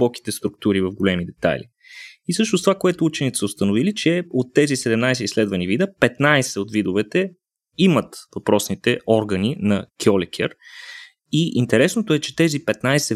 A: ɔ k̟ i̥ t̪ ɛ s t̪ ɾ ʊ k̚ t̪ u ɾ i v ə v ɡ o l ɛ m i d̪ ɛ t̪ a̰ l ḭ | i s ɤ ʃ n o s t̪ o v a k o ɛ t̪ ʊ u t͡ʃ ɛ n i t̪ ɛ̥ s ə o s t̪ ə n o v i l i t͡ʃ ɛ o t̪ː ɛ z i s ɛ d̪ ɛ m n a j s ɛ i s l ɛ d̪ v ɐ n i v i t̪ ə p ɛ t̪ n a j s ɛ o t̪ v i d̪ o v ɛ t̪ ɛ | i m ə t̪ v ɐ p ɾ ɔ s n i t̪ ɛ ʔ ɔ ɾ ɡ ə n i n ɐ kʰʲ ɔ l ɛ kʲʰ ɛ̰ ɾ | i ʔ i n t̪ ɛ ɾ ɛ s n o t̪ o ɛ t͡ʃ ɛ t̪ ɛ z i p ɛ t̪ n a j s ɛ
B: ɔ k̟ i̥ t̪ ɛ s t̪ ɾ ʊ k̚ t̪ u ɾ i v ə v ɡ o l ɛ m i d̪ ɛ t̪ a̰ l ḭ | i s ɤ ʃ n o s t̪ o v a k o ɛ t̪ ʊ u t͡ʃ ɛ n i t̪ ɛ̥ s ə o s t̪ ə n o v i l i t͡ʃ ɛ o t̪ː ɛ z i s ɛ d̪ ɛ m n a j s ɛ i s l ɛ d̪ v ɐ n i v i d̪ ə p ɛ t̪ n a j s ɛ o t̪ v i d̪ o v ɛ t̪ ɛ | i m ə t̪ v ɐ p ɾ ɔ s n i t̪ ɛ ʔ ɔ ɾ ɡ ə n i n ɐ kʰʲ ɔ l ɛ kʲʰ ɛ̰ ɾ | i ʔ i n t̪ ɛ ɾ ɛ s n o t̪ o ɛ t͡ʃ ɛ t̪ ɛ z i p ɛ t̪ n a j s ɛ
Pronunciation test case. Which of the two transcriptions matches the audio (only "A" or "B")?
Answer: B